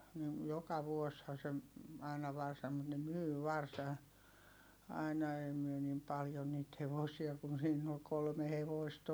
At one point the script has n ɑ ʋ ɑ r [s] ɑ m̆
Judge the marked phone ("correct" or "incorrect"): correct